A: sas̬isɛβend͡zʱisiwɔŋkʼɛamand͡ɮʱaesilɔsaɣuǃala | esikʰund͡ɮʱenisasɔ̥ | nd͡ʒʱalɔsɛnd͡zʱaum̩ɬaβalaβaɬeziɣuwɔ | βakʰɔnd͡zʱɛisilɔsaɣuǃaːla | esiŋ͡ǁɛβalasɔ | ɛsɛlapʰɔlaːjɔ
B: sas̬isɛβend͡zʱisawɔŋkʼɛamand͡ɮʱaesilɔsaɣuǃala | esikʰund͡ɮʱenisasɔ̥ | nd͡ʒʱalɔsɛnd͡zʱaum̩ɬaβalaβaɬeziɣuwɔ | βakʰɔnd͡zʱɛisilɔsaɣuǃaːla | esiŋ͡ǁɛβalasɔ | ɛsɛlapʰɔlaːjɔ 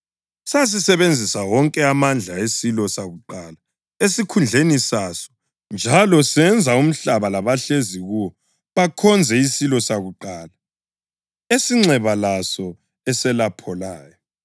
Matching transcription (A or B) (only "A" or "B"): B